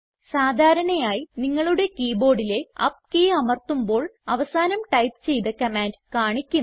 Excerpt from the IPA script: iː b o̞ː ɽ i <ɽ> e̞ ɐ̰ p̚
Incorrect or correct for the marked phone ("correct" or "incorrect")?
incorrect